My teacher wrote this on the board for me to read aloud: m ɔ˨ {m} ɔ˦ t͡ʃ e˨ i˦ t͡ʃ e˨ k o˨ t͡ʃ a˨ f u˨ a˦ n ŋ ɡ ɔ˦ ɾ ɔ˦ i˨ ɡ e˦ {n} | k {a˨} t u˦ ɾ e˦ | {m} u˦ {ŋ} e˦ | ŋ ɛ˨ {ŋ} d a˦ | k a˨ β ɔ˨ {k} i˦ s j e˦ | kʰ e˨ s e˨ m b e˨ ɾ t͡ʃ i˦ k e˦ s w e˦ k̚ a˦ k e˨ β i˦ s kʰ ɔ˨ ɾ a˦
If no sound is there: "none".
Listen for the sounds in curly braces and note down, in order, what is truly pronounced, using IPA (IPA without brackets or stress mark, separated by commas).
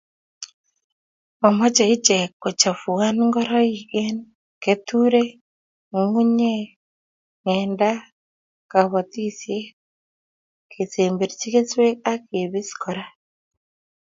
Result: m, n, e˨, ŋ, ɲ, n, t